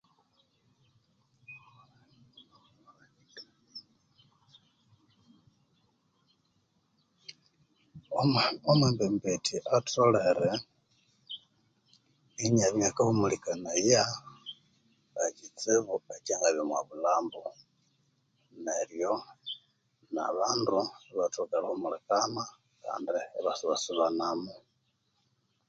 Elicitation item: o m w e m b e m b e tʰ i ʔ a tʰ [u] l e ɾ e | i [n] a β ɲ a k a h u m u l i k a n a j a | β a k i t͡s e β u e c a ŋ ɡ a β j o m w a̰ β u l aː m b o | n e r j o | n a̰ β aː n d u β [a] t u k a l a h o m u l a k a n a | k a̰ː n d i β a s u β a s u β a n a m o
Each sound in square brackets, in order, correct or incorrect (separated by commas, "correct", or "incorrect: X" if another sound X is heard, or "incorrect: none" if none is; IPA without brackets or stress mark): incorrect: o, incorrect: ɲ, correct